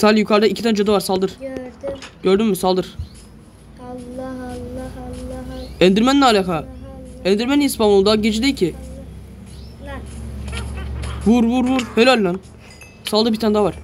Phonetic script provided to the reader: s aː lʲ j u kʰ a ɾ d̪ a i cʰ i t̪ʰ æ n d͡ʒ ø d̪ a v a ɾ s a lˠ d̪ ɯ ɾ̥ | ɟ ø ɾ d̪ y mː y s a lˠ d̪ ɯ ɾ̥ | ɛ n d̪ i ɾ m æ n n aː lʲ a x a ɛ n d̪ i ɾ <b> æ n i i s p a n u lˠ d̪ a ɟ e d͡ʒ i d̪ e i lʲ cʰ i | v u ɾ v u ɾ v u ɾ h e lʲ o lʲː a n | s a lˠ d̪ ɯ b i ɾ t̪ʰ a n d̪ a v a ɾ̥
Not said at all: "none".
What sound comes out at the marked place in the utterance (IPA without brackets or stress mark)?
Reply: m